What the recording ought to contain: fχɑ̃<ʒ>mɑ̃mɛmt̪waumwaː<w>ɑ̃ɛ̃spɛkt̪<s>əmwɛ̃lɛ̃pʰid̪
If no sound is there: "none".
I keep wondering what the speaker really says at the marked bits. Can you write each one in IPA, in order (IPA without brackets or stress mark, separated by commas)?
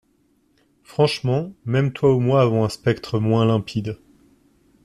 ʃ, v, χ